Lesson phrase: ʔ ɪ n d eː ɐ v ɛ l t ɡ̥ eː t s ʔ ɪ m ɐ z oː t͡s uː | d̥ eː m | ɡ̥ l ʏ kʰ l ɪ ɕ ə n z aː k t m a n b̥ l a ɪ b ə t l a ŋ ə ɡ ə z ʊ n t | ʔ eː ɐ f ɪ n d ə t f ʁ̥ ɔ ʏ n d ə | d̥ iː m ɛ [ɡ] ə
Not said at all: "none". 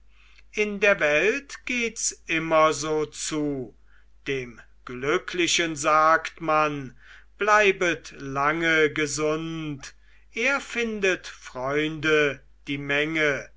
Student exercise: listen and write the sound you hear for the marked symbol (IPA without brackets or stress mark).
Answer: ŋ